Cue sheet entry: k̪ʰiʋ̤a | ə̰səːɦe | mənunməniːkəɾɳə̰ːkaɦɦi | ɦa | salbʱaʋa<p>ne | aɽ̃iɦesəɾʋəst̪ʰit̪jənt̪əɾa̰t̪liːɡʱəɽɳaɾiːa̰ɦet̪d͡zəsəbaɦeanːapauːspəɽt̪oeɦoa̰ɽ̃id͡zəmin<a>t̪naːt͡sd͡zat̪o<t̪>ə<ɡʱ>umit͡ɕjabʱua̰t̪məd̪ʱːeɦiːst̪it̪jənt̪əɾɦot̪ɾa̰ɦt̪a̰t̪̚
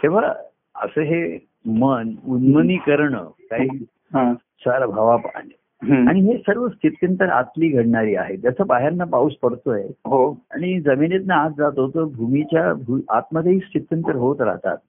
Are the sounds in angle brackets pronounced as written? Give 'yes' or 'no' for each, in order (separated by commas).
yes, no, yes, no